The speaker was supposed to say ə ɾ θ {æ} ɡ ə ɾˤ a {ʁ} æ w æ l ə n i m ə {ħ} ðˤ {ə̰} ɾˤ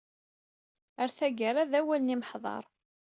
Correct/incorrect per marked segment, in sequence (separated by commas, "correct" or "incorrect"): correct, incorrect, correct, incorrect